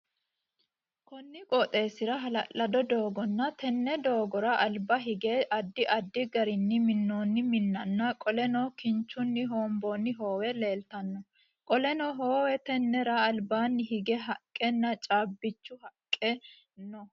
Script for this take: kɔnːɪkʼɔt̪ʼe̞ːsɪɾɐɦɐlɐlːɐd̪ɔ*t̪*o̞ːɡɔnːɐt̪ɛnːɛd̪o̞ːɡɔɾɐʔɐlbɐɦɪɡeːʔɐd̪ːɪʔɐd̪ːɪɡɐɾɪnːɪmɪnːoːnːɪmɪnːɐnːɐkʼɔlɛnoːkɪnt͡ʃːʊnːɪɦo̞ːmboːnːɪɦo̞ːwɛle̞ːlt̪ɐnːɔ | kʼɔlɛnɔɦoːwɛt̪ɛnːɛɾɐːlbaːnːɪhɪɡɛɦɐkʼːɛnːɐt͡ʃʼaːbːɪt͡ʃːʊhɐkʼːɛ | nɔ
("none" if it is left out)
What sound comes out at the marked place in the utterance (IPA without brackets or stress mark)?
d̪